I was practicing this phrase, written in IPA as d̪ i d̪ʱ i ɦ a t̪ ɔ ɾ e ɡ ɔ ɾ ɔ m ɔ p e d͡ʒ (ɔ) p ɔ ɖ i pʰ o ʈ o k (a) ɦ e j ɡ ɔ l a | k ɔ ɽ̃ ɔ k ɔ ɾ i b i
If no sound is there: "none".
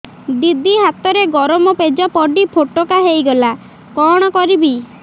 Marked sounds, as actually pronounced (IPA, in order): ɔ, a

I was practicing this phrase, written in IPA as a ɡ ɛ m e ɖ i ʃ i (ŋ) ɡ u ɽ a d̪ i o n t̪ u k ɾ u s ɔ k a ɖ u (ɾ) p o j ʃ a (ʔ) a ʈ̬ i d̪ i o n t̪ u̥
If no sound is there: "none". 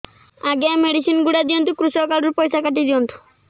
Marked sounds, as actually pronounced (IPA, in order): n, ɾ, k

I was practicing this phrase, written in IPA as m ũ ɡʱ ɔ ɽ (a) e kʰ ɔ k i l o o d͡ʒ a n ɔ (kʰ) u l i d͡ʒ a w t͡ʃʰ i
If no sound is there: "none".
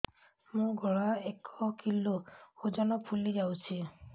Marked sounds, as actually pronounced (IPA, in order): a, pʰ

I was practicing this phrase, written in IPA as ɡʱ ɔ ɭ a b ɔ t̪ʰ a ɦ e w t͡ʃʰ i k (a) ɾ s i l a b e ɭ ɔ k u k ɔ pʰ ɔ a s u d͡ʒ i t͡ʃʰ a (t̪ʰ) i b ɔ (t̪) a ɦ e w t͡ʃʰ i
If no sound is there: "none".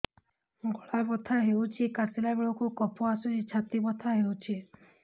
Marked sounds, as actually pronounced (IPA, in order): a, t̪, t̪ʰ

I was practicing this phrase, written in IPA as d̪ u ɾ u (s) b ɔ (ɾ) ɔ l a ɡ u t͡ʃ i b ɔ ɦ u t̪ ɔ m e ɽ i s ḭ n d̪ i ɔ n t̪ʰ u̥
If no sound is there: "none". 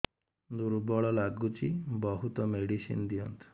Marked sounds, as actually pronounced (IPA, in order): none, ɭ

